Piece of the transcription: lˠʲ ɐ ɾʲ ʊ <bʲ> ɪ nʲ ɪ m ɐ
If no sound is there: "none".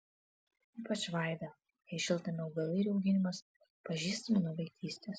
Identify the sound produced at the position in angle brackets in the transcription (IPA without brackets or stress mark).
ɡʲ